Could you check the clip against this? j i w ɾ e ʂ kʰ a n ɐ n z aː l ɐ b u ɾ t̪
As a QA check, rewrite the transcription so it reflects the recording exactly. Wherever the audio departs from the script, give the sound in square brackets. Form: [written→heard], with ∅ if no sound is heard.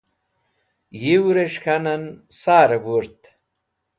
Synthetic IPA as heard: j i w ɾ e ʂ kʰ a n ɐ n [z→s] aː [l→ɾ] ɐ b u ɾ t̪